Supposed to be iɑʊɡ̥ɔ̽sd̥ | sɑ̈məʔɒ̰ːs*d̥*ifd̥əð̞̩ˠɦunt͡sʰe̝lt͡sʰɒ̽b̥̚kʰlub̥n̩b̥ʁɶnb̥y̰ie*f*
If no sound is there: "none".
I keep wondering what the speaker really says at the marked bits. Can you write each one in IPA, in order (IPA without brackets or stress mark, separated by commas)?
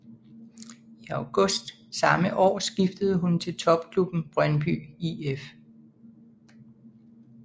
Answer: ɡ̥, f